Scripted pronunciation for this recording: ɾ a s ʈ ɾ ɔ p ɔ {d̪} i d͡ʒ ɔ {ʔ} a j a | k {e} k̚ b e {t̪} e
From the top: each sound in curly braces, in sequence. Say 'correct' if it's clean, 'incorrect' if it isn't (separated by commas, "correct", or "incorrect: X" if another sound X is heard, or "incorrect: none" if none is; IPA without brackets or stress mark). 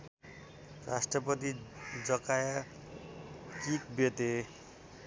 incorrect: t̪, incorrect: k, incorrect: i, correct